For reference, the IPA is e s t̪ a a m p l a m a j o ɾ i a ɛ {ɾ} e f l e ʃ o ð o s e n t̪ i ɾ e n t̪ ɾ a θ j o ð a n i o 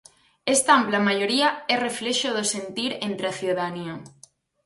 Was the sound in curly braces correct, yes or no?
no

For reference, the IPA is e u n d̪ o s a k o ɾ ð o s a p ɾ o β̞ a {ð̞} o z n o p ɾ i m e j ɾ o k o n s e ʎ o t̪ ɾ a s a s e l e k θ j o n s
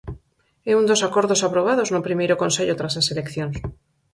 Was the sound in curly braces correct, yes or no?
yes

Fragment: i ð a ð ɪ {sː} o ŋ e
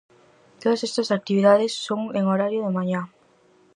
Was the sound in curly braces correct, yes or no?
yes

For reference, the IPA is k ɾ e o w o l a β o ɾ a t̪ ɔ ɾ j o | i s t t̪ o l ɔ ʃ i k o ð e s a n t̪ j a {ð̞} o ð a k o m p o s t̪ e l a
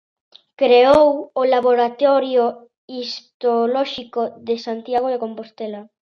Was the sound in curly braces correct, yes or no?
no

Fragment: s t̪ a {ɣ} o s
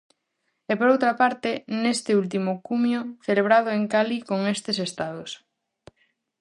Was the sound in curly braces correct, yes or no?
no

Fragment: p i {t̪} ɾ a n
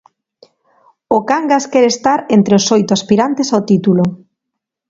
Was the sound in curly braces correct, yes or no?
no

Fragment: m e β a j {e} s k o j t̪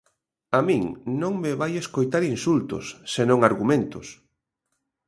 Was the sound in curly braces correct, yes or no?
yes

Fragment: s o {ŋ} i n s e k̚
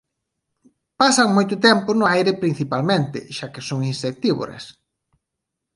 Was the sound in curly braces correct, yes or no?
yes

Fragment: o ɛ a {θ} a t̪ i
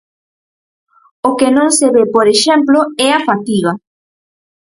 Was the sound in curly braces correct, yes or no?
no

